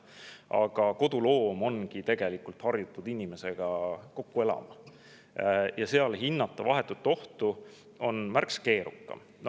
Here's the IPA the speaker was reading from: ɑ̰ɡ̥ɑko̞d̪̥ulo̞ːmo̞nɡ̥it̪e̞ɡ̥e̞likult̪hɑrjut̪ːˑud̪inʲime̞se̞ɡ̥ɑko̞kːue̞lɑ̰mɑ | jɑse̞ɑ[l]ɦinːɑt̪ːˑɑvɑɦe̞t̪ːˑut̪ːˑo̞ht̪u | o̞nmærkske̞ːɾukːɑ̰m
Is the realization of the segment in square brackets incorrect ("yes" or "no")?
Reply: no